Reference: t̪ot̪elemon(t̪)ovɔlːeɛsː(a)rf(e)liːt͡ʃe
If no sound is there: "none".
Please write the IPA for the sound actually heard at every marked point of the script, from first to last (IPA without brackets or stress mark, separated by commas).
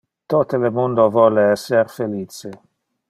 d̪, e, e